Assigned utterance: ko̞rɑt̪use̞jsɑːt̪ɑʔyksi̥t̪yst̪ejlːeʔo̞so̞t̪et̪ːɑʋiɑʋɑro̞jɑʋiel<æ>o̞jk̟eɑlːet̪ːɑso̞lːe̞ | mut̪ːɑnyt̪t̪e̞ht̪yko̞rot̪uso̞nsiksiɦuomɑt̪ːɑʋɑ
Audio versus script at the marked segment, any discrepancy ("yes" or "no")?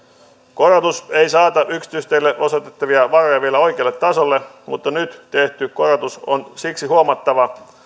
no